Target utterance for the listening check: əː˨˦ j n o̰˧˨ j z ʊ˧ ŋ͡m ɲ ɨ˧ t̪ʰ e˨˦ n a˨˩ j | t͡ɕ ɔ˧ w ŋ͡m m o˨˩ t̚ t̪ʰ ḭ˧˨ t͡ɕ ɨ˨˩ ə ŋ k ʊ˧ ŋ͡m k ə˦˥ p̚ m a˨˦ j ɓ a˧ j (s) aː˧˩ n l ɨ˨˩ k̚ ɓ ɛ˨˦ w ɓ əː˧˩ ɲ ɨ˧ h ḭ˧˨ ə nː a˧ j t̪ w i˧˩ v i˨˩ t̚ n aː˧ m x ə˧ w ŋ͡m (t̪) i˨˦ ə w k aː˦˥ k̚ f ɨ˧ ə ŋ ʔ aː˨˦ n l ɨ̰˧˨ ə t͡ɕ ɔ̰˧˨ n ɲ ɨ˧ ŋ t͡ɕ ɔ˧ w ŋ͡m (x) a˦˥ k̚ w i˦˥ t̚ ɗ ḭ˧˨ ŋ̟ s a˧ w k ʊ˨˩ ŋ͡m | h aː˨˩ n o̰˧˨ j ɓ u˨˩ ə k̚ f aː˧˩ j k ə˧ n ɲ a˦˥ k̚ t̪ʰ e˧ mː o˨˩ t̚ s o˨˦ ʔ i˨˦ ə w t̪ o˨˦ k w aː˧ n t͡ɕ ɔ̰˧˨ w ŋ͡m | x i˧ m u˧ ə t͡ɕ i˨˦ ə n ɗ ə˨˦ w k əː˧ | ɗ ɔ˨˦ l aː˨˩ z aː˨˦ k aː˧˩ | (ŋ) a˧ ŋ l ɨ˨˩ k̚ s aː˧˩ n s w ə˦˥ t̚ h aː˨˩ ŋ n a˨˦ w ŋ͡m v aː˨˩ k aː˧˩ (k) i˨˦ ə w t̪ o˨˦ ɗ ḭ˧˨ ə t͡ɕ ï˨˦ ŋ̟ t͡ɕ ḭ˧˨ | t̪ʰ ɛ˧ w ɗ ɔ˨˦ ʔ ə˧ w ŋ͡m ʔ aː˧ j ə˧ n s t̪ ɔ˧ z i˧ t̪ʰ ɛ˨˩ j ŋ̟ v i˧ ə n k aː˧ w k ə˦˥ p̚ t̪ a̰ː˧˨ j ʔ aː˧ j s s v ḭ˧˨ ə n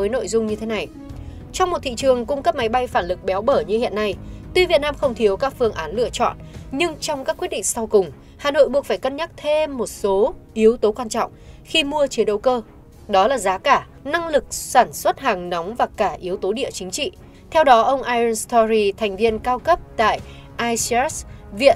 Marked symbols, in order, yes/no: no, no, no, no, no

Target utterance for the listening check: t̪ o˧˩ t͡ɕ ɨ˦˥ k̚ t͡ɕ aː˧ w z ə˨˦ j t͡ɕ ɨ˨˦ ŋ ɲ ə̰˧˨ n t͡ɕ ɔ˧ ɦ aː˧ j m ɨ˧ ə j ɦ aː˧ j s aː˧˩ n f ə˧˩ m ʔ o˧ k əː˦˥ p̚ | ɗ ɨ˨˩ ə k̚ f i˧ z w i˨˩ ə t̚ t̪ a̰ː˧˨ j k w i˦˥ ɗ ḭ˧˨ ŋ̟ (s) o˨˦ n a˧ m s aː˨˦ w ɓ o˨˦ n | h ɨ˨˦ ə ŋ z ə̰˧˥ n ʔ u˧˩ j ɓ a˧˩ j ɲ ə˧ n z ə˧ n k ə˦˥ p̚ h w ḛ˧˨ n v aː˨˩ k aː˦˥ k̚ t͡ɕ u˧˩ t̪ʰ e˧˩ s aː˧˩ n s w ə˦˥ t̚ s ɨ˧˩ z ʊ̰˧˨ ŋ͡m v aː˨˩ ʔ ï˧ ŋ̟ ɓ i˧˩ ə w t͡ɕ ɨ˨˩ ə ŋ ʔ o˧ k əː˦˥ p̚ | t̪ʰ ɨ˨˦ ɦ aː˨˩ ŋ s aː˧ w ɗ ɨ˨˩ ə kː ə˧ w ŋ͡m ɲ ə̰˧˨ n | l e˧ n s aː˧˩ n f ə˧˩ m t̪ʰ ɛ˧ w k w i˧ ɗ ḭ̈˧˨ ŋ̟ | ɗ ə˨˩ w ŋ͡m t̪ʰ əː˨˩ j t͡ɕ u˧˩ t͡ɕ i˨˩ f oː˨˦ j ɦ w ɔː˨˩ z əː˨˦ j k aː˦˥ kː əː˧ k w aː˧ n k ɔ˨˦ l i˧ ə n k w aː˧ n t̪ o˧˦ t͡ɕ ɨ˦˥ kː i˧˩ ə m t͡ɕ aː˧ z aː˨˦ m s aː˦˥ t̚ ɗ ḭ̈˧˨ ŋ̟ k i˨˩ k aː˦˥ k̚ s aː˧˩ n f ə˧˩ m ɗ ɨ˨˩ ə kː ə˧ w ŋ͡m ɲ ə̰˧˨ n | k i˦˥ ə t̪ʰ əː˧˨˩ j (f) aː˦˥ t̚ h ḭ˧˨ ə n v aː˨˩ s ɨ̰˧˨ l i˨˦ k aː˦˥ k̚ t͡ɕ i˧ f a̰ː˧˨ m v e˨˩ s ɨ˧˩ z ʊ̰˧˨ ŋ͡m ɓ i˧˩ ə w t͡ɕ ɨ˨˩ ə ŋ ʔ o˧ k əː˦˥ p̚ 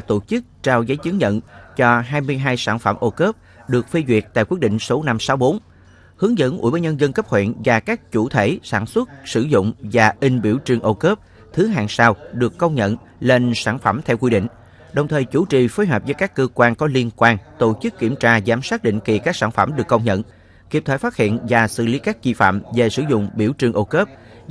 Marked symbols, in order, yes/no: yes, yes

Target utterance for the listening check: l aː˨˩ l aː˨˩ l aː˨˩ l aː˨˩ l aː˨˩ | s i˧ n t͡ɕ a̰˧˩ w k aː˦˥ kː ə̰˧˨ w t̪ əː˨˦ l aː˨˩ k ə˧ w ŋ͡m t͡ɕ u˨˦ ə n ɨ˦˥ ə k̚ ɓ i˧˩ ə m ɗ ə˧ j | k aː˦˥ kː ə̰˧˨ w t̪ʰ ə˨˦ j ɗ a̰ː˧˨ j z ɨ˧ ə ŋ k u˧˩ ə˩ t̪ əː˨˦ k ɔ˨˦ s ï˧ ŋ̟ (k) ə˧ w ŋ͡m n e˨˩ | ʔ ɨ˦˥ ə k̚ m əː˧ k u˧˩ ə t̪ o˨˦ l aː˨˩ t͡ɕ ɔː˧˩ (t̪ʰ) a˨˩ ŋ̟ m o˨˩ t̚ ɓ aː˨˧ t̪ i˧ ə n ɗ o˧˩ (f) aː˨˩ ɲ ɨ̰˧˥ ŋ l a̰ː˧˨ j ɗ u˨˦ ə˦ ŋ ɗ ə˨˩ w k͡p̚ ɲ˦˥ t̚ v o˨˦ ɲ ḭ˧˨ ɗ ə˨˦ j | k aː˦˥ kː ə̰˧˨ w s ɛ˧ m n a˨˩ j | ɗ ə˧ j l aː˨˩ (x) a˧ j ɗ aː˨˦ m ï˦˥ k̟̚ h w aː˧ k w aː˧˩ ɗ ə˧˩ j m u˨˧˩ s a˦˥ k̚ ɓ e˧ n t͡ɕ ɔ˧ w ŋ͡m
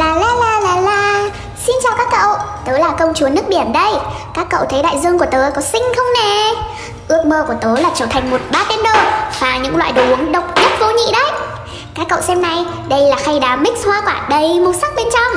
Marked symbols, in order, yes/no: no, yes, no, yes

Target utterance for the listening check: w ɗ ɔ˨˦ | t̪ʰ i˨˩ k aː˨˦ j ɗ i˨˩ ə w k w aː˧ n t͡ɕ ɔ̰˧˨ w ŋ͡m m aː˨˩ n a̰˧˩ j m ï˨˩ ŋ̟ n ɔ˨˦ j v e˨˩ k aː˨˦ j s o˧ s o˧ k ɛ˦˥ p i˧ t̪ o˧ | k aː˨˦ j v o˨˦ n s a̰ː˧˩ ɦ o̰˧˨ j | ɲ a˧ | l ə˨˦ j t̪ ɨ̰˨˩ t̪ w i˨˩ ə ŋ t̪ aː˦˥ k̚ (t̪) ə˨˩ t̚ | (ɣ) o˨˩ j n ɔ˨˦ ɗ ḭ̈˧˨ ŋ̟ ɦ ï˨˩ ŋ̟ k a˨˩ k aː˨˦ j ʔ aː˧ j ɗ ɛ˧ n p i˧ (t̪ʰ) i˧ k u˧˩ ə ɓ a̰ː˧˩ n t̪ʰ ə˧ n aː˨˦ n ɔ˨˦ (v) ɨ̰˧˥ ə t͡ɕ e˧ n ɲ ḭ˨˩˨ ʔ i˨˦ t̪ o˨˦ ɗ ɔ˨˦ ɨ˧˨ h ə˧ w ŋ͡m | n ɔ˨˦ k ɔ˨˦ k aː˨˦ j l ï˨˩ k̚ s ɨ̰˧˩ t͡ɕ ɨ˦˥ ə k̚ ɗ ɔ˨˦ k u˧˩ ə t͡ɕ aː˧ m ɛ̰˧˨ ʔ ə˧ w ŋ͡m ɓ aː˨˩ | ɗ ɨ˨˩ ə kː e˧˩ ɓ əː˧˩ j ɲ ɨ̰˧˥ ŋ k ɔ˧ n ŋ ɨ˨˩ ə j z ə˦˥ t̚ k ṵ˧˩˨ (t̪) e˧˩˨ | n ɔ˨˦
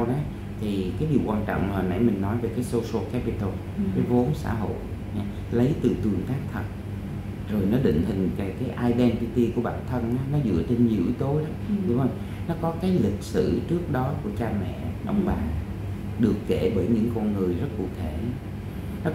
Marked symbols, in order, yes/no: no, no, no, no, no

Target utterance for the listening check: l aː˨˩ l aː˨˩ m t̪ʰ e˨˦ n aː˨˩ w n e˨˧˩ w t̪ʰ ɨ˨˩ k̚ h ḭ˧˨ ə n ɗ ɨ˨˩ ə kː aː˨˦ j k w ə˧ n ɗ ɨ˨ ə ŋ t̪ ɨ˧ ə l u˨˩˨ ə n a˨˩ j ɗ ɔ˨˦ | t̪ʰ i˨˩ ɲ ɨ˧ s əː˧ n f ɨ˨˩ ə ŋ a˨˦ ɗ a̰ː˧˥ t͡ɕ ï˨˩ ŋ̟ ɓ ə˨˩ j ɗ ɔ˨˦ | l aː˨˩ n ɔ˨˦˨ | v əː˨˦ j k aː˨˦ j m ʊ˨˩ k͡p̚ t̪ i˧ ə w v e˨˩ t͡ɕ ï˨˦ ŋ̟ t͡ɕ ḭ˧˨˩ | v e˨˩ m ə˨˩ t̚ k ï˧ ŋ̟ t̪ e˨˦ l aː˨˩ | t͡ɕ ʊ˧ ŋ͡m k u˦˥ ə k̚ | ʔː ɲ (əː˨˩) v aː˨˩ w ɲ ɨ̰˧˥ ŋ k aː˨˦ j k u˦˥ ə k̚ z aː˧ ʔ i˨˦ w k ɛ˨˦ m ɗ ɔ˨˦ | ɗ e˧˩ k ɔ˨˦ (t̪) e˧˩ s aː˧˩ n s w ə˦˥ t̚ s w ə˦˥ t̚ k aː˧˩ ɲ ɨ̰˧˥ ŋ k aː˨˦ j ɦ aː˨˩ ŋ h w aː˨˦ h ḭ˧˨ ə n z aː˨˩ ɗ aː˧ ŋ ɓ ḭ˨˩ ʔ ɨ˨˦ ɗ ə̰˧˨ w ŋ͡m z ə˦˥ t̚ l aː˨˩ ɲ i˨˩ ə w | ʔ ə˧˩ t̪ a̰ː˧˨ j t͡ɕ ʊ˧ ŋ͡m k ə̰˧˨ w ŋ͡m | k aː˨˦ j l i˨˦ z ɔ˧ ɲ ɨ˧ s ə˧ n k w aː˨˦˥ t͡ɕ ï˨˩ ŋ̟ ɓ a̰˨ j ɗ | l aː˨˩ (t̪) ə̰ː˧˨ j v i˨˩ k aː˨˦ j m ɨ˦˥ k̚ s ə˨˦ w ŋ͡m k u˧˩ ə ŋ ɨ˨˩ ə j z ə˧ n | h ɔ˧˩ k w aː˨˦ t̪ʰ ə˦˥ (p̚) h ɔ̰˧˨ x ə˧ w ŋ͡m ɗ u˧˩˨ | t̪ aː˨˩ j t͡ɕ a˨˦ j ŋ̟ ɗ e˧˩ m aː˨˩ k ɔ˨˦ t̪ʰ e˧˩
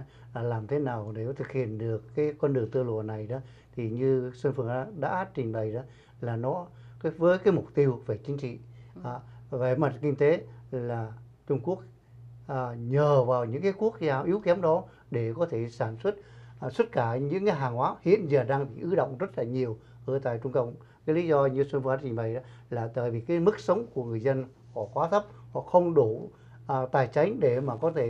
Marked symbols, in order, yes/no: yes, no, yes, yes

